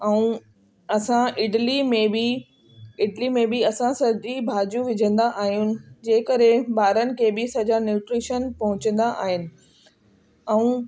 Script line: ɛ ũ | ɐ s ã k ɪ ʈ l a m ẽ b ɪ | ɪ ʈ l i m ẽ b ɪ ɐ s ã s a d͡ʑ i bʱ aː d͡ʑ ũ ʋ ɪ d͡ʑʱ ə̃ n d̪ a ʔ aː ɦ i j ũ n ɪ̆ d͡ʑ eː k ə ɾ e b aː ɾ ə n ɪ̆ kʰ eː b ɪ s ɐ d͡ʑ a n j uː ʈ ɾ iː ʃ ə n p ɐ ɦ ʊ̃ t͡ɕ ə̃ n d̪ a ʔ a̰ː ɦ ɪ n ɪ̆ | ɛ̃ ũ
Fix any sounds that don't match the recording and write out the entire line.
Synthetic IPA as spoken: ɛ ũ | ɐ s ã ɪ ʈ l i m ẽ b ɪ | ɪ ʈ l i m ẽ b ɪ ɐ s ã s ɐ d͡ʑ i bʱ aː d͡ʑ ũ ʋ ɪ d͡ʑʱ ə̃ n d̪ a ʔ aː ɦ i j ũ n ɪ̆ d͡ʑ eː k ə ɾ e b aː ɾ ə n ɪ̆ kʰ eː b ɪ s ɐ d͡ʑ a n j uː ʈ ɾ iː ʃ ə n p ɐ ɦ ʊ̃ t͡ɕ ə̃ n d̪ a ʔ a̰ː ɦ ɪ n ɪ̆ | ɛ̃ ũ